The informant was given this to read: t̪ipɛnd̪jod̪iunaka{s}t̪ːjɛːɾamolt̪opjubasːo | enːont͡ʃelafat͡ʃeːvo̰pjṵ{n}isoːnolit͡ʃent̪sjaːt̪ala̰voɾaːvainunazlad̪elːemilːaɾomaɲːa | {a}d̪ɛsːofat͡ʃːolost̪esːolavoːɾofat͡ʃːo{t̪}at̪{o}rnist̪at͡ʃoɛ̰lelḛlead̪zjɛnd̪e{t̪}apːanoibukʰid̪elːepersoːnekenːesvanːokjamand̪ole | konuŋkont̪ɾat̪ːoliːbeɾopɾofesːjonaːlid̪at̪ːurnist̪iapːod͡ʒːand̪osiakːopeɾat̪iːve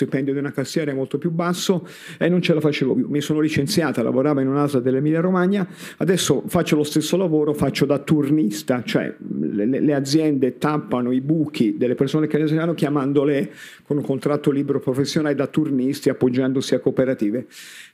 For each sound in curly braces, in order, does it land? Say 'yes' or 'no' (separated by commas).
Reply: yes, no, yes, no, no, yes